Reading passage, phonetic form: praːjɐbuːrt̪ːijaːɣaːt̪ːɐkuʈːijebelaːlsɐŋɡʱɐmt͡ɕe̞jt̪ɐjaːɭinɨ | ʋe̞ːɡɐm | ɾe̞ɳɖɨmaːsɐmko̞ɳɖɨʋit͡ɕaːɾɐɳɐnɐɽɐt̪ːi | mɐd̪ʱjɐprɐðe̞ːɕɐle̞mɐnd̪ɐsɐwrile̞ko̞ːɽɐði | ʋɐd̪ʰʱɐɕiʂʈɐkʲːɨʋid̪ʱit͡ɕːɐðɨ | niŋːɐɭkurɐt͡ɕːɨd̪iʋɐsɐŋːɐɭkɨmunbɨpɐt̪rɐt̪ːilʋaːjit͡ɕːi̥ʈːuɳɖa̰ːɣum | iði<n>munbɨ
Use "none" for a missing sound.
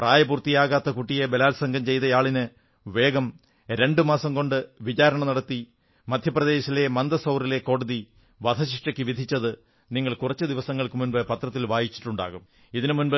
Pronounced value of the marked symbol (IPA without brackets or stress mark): n